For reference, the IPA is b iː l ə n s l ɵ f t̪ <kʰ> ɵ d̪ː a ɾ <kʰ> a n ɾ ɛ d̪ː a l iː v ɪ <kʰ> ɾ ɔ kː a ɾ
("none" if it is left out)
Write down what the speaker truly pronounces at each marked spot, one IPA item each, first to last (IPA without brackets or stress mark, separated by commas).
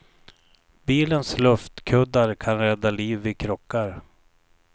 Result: kʰ, kʰ, kʰ